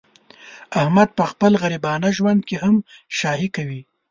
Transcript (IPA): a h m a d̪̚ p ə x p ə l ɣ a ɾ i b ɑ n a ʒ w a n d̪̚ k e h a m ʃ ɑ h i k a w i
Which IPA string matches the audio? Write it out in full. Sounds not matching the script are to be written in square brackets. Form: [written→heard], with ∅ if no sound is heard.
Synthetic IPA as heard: a h m a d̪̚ p ə x p ə l ɣ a ɾ i b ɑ n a ʒ w a n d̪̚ k e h a m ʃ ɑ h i k a w i